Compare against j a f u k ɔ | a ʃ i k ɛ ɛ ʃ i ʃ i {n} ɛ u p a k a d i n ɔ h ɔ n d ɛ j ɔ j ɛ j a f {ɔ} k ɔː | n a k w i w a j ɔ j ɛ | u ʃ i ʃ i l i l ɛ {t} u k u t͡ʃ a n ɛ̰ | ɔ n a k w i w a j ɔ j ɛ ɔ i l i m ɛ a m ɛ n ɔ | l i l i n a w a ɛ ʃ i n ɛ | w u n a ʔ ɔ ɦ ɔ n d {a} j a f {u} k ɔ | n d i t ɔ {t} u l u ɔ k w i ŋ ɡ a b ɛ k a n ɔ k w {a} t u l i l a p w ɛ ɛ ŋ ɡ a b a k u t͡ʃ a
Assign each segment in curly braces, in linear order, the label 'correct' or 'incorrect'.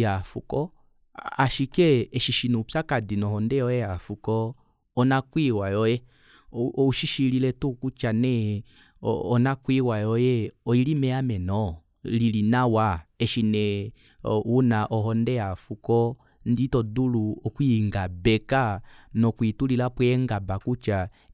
correct, incorrect: u, correct, incorrect: ɛ, correct, incorrect: d, incorrect: i

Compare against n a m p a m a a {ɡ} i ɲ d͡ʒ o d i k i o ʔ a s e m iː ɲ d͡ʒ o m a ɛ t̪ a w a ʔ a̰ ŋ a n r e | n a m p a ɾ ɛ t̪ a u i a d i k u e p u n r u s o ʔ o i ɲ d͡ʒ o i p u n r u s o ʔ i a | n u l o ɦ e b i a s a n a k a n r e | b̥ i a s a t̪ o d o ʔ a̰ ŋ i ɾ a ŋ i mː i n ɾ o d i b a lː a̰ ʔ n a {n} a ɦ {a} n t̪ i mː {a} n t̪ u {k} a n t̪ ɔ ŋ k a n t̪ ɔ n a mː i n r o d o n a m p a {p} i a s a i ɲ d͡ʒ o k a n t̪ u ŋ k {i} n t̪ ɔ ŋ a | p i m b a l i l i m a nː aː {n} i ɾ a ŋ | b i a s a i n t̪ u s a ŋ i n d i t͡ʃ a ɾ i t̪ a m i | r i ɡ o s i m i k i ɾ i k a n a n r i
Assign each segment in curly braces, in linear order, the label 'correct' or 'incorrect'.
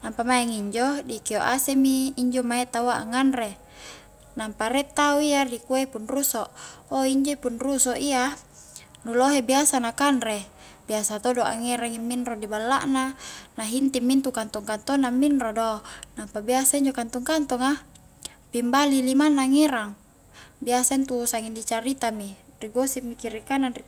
incorrect: ŋ, correct, incorrect: i, incorrect: i, correct, incorrect: b, incorrect: a, incorrect: ŋ

